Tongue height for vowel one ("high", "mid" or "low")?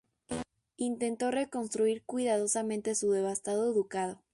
high